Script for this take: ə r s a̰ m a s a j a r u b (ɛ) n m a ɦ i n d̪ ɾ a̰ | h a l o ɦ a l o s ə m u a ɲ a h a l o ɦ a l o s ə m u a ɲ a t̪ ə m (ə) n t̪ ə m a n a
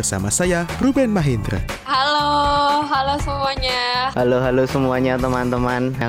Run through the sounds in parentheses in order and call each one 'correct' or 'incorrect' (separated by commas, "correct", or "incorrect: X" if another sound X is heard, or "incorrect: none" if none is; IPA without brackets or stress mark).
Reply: correct, incorrect: a